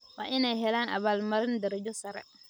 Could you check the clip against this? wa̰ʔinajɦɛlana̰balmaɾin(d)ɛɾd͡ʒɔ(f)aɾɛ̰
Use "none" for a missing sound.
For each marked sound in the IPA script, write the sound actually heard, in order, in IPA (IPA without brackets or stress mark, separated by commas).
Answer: d, s